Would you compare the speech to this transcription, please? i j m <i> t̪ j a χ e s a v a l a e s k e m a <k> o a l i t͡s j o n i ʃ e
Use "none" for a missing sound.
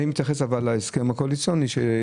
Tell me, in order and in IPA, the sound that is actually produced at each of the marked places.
i, k

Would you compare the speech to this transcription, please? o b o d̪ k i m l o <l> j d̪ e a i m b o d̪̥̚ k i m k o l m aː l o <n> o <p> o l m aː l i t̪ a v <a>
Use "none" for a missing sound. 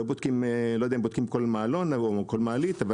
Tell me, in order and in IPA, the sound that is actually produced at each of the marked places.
none, n, k, a

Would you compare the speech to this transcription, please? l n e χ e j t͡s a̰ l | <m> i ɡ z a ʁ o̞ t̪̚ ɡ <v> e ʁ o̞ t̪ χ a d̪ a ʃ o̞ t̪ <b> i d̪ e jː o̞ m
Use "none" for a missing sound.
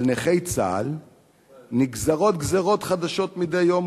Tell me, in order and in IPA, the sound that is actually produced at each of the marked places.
n, z, m

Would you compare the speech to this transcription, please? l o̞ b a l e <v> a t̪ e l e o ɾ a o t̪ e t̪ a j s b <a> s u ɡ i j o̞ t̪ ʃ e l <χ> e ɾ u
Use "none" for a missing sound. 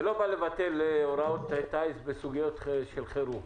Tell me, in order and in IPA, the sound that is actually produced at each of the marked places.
v, e, χ

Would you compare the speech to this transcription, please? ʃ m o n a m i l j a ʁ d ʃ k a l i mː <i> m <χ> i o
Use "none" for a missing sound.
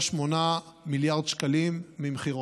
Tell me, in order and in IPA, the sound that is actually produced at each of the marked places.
i, χ

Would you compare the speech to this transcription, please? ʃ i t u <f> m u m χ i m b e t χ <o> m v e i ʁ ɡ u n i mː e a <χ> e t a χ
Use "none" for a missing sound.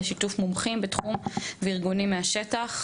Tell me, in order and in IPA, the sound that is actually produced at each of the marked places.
f, u, ʃ

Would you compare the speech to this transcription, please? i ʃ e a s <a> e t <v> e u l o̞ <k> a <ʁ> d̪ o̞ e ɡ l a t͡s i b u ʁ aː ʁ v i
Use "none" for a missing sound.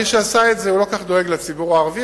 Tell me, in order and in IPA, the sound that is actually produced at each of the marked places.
a, z, k, χ

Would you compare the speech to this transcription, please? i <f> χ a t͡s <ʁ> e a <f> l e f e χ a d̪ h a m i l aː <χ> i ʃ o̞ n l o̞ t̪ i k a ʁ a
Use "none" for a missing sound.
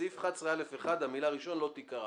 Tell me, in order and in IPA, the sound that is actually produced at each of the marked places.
f, ʁ, none, ʁ

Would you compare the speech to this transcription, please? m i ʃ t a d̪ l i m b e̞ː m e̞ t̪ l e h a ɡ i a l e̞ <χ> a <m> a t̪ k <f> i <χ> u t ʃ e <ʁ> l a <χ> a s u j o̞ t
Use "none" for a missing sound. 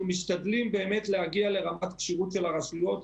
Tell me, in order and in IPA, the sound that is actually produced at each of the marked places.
ʁ, m, ʃ, ʁ, none, ʁ

